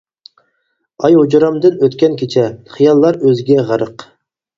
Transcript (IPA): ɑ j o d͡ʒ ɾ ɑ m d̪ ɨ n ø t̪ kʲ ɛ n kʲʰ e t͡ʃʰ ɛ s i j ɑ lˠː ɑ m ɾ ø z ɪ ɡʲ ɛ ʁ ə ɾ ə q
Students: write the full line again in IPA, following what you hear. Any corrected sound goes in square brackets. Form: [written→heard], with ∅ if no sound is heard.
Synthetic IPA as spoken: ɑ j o d͡ʒ ɾ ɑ m d̪ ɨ n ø t̪ kʲ ɛ n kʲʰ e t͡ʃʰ ɛ [s→χ] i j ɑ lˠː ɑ [m→∅] ɾ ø z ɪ ɡʲ ɛ ʁ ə ɾ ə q